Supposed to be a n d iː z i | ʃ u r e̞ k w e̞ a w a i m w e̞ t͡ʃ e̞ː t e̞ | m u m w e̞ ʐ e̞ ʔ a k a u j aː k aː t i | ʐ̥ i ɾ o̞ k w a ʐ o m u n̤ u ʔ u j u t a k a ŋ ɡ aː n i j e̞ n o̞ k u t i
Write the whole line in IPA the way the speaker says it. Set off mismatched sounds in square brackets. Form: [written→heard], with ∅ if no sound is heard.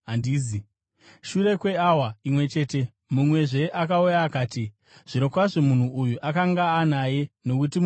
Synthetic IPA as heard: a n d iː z i | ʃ u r e̞ k w e̞ a w a i m w e̞ t͡ʃ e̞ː t e̞ | m u m w e̞ ʐ e̞ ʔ a k a u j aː k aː t i | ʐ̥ i ɾ o̞ k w a ʐ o m u n̤ u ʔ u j u [t→ʔ] a k a ŋ ɡ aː n [i→a] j e̞ n o̞ k u t i